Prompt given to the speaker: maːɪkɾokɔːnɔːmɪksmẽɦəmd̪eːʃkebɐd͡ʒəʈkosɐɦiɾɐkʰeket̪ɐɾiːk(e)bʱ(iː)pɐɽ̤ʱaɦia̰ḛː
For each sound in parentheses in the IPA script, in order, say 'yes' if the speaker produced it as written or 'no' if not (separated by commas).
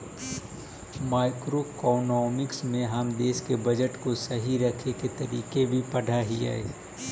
yes, no